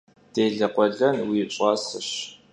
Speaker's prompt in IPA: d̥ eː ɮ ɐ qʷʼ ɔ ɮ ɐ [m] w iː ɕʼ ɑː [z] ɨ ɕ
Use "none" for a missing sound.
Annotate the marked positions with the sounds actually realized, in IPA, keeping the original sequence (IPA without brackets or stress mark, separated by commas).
n, s